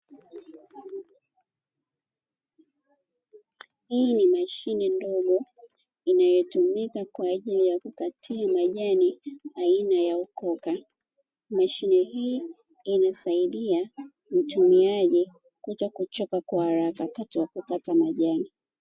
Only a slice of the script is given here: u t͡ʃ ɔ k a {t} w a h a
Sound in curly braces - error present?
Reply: yes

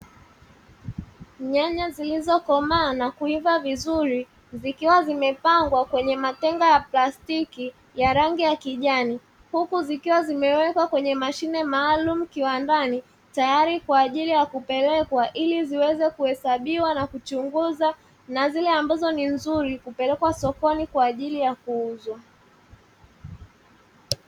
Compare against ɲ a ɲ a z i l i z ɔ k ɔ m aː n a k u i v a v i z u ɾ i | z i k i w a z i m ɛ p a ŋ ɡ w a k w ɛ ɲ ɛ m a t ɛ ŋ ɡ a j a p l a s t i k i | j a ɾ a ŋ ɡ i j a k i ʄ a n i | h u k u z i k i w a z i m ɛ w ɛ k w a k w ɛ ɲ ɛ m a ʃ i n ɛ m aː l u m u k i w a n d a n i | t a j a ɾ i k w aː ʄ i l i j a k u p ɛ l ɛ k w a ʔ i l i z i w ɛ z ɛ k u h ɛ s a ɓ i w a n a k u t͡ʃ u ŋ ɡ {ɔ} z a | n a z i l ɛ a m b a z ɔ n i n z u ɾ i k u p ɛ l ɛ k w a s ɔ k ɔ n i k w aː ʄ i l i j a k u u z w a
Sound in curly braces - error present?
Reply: yes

